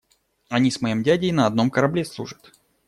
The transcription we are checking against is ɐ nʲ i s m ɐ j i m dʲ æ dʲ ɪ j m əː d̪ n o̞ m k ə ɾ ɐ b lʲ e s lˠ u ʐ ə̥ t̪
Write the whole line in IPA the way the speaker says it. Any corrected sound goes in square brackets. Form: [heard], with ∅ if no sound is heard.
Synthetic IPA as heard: ɐ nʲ i s m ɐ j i m dʲ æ dʲ ɪ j [n] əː d̪ n o̞ m k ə ɾ ɐ b lʲ e s lˠ u ʐ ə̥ t̪